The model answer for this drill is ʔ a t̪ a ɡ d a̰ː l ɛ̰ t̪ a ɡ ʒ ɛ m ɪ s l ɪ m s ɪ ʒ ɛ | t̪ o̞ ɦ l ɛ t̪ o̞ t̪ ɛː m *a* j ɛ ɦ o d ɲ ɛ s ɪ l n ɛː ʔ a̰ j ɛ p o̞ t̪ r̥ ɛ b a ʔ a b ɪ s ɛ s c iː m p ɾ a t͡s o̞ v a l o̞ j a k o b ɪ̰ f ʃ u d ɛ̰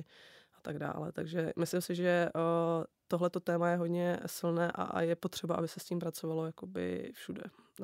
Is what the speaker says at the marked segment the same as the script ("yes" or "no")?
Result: yes